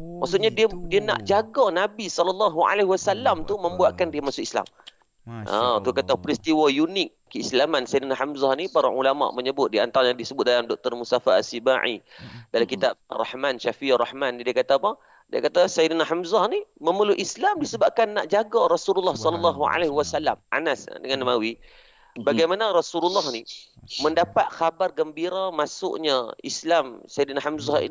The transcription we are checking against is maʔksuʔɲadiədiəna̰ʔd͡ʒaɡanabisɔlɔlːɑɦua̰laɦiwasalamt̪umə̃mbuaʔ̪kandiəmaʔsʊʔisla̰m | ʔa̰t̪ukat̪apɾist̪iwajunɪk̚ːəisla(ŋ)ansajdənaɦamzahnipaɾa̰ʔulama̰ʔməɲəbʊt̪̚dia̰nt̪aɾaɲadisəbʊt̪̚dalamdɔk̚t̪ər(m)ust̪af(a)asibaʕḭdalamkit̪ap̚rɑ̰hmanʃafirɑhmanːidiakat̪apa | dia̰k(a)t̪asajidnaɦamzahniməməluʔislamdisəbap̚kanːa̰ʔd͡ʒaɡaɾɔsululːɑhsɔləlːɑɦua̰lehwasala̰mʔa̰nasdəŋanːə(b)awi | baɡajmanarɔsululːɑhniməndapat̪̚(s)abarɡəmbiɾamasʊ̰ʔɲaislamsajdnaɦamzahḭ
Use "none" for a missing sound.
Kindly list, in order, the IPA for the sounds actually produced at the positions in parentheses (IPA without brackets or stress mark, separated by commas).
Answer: m, m, a, a, m, x